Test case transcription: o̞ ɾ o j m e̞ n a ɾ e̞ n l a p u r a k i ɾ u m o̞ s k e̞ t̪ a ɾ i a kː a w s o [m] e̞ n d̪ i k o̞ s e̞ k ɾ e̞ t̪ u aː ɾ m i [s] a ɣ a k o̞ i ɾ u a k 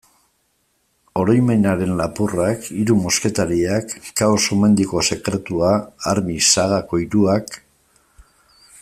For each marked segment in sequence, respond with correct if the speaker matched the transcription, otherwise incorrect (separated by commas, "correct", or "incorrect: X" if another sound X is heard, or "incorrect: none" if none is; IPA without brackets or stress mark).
correct, correct